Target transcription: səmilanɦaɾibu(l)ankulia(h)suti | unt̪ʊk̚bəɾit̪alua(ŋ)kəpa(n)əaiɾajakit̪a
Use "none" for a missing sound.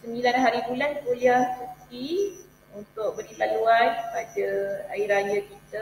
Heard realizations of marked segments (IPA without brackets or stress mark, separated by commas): l, h, n, d